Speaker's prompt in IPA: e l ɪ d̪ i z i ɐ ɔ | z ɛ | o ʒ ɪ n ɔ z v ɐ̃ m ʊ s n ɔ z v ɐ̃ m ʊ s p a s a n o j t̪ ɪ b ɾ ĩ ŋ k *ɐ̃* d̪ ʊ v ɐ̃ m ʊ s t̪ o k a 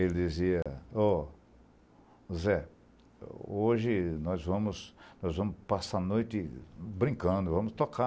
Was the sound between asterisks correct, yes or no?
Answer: yes